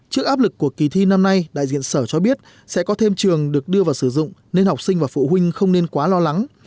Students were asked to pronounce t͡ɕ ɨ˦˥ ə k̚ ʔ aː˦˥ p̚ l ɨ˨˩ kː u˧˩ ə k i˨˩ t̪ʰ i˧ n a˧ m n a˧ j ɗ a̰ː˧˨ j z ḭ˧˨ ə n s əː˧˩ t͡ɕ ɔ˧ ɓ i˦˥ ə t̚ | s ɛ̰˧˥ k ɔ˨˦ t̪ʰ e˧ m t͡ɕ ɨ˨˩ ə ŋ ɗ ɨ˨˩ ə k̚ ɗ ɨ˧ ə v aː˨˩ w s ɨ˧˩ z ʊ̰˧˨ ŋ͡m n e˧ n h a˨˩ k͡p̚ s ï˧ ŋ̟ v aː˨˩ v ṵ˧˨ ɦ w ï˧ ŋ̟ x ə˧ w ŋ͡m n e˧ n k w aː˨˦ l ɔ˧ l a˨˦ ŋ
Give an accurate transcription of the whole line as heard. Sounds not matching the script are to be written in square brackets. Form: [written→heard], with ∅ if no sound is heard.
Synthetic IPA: t͡ɕ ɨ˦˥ ə k̚ ʔ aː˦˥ p̚ l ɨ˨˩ kː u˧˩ ə k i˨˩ t̪ʰ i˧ n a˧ m n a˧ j ɗ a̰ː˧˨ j z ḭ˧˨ ə n s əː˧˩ t͡ɕ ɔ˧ ɓ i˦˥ ə t̚ | s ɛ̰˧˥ k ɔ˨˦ t̪ʰ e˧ m t͡ɕ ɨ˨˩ ə ŋ ɗ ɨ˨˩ ə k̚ ɗ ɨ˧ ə v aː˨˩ w s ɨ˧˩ z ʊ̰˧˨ ŋ͡m n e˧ n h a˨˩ k͡p̚ s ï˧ ŋ̟ v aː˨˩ [v→f] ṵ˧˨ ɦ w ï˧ ŋ̟ x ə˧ w ŋ͡m n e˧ n k w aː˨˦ l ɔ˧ l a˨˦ ŋ